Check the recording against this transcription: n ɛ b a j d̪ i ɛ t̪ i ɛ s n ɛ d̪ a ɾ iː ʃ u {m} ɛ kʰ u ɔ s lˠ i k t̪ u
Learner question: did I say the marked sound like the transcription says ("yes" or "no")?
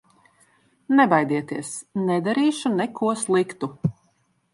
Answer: no